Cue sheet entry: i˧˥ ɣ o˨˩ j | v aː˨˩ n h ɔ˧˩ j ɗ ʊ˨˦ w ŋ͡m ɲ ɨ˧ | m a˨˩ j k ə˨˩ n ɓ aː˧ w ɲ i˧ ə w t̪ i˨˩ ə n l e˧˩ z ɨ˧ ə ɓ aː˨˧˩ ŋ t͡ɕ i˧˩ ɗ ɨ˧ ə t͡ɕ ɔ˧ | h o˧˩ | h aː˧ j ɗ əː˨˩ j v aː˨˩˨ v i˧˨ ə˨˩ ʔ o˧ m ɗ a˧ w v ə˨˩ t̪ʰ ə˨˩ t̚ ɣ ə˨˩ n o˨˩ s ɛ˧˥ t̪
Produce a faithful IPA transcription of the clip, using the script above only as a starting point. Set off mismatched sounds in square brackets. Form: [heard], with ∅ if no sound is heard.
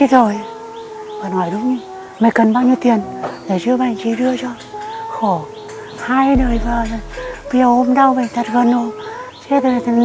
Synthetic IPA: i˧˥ [z] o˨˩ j | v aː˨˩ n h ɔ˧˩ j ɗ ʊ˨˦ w ŋ͡m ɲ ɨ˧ | m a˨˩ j k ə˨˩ n ɓ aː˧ w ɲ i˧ ə w t̪ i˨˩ ə n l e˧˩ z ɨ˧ ə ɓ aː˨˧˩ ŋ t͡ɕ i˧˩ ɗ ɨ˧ ə t͡ɕ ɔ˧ | [x] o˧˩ | h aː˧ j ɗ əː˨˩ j v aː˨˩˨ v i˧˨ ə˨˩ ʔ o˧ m ɗ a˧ w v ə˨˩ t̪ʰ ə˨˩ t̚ ɣ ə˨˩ n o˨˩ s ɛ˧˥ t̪